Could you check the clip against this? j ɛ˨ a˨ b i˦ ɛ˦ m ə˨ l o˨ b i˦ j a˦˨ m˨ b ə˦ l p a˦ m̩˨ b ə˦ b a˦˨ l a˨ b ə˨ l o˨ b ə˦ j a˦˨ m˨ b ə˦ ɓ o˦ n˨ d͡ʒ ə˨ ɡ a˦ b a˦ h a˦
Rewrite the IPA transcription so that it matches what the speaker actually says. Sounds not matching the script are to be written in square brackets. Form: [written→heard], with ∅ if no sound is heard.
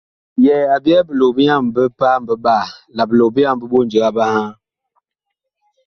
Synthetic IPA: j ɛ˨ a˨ b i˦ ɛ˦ [m→b] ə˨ l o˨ b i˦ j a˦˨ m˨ b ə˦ [l→∅] p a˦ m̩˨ b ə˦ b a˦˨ l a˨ b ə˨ l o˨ b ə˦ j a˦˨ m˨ b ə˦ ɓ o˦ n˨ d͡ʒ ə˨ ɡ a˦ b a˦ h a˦